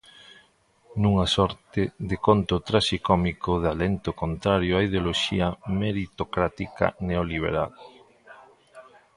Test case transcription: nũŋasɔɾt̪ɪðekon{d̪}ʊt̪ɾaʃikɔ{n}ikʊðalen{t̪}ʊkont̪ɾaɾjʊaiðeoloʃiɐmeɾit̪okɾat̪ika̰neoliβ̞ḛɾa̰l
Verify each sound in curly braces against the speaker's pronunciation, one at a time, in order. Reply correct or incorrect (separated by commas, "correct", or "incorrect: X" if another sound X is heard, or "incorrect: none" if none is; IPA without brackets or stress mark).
incorrect: t̪, incorrect: m, correct